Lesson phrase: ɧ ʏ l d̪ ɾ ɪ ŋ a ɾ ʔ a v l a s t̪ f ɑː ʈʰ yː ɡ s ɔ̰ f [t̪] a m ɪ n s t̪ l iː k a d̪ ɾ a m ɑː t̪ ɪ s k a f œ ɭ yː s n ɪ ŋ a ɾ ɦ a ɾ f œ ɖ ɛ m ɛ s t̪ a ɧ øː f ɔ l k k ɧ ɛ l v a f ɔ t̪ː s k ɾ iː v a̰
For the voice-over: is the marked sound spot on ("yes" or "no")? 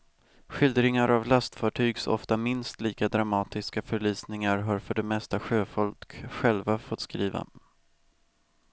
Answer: yes